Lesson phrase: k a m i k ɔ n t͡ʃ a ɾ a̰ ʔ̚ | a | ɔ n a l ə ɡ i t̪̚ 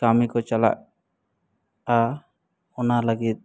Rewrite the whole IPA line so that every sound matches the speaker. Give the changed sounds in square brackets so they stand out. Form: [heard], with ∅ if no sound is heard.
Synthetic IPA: k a m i k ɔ [∅] t͡ʃ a [l] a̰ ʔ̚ | a | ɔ n a l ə ɡ i t̪̚